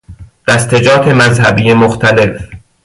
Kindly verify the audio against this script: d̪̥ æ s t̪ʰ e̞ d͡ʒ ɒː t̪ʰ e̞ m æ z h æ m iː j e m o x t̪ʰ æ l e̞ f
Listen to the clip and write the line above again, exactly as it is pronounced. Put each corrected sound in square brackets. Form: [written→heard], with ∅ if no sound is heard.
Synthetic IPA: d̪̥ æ s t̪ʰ e̞ d͡ʒ ɒː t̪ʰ e̞ m æ z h æ [m→b] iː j e m o x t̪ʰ æ l e̞ f